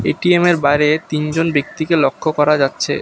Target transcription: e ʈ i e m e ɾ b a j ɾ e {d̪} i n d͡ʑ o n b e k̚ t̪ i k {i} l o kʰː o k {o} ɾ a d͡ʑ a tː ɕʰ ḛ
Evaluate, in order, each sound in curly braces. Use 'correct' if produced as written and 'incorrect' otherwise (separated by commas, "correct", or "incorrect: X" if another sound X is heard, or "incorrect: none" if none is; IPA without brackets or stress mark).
incorrect: t̪, incorrect: e, incorrect: ɔ